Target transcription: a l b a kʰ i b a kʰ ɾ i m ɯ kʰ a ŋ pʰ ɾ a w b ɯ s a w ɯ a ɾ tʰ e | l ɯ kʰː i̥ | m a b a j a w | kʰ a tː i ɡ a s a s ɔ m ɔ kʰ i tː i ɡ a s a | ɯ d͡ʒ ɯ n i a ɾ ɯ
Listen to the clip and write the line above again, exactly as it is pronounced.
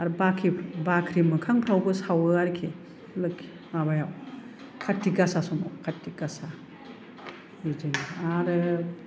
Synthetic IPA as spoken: a ɾ b a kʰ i b a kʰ ɾ i m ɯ kʰ a ŋ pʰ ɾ a w b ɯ s a w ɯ a ɾ kʰ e | l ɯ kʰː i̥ | m a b a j a w | kʰ a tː i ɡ a s a s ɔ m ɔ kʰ a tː i ɡ a s a | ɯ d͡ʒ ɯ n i a ɾ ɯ